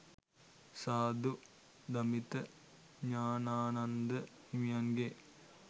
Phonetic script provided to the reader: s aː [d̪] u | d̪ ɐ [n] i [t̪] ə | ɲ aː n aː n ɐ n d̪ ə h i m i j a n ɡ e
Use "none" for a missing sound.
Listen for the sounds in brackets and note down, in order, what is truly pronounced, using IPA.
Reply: d̪, m, t̪

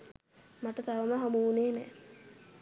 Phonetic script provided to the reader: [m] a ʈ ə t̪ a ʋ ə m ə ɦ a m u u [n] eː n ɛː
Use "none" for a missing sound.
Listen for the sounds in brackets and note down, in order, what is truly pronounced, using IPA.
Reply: m, n

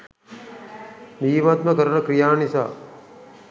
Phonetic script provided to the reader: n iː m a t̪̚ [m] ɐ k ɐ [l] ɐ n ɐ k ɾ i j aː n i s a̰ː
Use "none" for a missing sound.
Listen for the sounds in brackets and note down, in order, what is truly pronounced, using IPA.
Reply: m, ɾ

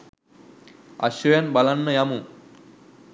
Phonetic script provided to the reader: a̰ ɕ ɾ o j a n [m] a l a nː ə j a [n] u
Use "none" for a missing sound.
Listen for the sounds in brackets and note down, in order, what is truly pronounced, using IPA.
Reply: b, m

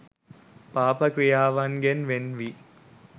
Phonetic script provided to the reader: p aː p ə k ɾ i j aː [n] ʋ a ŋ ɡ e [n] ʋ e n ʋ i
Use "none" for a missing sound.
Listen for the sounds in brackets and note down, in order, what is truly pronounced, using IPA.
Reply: none, n

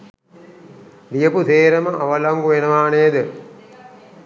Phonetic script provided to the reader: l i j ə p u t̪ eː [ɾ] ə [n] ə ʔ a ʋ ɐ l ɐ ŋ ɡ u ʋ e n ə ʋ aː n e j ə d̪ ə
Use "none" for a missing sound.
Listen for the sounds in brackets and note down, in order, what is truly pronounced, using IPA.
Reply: ɾ, m

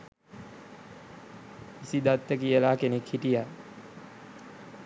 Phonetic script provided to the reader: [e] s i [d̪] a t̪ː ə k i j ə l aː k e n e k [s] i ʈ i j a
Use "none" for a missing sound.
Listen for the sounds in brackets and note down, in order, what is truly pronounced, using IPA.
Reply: i, d̪, h

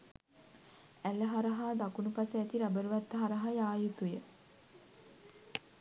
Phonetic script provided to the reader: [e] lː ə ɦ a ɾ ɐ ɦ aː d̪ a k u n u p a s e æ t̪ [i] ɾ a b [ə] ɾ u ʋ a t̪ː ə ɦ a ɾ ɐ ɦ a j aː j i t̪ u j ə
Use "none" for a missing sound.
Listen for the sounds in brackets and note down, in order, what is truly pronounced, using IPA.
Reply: æ, i, ə

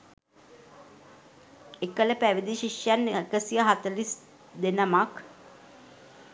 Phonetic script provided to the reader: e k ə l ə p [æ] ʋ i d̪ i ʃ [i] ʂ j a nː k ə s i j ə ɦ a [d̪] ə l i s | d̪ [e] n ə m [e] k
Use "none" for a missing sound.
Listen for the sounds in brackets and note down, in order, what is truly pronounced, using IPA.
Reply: æ, i, t̪, e, a

